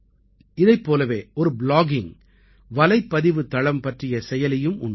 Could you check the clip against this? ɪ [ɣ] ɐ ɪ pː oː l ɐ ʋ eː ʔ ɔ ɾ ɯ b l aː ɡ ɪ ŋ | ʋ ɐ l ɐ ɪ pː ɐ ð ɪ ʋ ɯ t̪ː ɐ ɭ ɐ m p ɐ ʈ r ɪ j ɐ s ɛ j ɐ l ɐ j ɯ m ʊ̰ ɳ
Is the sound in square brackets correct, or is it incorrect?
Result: incorrect